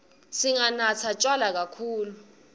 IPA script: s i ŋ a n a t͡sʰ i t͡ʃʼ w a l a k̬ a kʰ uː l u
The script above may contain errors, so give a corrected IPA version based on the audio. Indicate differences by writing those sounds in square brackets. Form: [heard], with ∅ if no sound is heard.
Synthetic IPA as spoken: s i ŋ a n a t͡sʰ [a] t͡ʃʼ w a l a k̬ a kʰ uː l u